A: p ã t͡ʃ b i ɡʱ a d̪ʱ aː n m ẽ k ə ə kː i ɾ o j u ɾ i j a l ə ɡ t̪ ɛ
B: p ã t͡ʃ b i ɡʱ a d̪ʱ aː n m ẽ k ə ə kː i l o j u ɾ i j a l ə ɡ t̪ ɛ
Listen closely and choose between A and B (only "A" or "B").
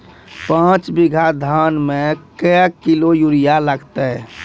B